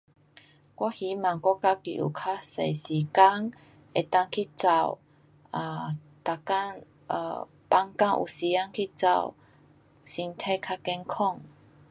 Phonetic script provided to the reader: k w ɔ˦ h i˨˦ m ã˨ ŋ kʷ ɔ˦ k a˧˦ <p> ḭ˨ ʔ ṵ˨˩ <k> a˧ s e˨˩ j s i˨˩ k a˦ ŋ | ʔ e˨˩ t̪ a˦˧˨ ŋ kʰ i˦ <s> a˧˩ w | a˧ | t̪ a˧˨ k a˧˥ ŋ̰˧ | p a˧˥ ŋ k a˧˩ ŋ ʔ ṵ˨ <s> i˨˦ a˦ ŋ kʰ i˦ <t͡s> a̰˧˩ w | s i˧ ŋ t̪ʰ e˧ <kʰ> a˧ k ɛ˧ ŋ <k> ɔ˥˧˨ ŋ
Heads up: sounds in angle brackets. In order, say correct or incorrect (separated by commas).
incorrect, incorrect, incorrect, correct, correct, correct, incorrect